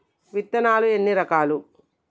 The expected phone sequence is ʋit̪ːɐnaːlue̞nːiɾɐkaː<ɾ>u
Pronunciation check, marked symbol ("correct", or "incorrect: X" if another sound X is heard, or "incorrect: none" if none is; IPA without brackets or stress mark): incorrect: l